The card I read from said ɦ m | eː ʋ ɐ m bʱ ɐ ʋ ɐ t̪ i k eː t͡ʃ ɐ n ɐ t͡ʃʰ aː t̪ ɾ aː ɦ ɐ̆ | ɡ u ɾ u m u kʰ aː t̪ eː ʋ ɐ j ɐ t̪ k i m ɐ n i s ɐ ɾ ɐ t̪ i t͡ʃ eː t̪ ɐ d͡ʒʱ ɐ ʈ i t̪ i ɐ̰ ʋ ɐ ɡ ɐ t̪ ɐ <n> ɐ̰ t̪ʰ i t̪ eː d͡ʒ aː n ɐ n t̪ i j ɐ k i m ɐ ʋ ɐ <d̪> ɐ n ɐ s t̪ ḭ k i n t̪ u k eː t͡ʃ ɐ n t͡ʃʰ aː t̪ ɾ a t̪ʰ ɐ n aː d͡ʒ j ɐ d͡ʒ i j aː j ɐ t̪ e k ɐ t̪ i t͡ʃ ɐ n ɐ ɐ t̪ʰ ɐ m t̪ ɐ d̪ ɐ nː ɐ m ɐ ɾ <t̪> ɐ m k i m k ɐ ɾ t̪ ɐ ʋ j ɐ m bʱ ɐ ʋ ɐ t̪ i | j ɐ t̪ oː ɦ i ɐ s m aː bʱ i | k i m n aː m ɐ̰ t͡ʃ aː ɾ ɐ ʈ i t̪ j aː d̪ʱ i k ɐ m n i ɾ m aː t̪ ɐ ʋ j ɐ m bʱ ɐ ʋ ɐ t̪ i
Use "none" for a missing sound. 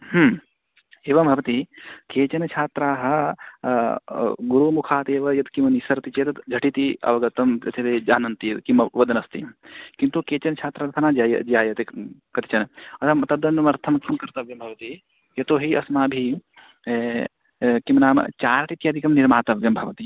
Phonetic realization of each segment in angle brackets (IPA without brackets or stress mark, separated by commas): m, d̪, t̪ʰ